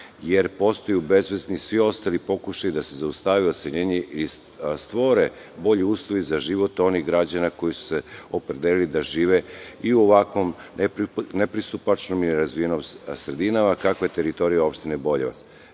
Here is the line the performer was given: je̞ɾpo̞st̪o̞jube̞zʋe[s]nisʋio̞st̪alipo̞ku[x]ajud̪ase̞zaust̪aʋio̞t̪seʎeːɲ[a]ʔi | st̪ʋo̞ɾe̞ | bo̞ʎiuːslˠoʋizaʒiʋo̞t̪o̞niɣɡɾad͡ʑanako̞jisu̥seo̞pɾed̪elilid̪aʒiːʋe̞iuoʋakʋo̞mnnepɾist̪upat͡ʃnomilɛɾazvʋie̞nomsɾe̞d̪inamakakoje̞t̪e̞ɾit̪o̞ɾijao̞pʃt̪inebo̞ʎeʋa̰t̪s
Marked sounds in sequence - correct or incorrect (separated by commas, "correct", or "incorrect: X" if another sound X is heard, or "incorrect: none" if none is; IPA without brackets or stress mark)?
incorrect: z, incorrect: ʃ, incorrect: e